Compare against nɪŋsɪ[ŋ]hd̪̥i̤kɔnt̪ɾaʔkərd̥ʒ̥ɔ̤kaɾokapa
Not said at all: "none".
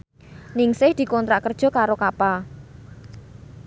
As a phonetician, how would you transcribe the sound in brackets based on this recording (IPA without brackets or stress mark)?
none